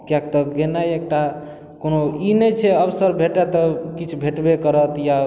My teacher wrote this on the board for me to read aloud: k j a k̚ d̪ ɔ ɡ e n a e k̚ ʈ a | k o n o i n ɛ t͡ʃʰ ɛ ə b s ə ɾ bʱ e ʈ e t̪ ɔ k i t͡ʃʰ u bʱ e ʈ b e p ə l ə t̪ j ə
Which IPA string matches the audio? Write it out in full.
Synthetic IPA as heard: k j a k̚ t̪ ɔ ɡ e n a e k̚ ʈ a | k o n o i n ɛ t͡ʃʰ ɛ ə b s ə ɾ bʱ e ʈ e t̪ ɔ k i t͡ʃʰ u bʱ e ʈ b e k ə ɾ ə t̪ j a